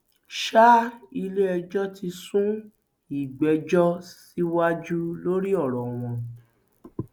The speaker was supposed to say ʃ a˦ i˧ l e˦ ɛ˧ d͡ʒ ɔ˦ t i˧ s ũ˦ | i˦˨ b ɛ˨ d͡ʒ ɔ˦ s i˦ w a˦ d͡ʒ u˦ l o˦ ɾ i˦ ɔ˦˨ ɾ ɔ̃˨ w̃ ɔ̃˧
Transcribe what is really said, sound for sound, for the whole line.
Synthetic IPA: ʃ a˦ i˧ l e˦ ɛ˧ d͡ʒ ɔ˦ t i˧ s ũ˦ | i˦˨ ɡ͡b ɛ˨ d͡ʒ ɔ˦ s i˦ w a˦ d͡ʒ u˦ l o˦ ɾ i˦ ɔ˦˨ ɾ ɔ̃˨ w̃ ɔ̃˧